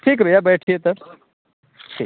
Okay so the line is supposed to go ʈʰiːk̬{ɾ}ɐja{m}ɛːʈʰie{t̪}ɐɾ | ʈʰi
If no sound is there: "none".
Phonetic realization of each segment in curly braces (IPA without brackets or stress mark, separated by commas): ɾ, b, t̪